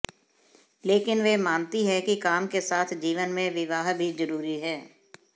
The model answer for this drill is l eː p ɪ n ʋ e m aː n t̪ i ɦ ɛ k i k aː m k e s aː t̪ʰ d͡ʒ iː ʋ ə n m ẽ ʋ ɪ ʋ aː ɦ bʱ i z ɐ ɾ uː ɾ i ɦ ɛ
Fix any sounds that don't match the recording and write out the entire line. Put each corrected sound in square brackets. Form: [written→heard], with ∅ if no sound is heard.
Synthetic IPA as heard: l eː [p→k] ɪ n ʋ e m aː n t̪ i ɦ ɛ k i k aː m k e s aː t̪ʰ d͡ʒ iː ʋ ə n m ẽ ʋ ɪ ʋ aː ɦ bʱ i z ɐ ɾ uː ɾ i ɦ [ɛ→ɛː]